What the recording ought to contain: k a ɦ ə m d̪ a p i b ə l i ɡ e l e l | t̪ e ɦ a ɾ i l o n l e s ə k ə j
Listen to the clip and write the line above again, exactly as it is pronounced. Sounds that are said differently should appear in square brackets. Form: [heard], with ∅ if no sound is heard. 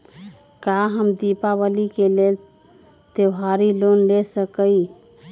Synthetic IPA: k a ɦ ə m d̪ [i] p [a] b ə l i [k] e l e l | t̪ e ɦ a ɾ i l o n l e s ə k ə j